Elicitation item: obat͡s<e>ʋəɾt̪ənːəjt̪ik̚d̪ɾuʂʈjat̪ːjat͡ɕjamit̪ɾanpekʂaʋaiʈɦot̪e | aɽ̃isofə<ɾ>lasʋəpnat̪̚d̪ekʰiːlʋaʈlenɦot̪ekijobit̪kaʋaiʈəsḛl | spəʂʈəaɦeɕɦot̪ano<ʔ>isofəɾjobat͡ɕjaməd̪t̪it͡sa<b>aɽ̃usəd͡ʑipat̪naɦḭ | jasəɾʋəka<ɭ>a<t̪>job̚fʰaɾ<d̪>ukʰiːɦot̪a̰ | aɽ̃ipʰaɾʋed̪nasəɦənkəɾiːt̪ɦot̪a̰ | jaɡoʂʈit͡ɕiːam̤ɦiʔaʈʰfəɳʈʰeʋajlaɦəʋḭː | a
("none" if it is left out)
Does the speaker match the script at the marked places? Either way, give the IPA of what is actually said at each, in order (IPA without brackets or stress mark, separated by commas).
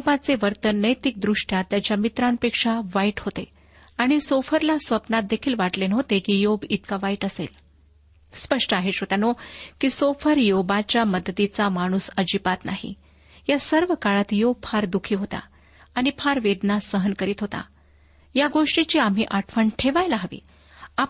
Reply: e, ɾ, k, m, ɭ, t̪, d̪